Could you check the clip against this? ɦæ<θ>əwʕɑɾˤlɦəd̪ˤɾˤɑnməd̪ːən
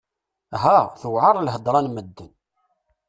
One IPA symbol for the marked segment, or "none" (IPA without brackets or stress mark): θ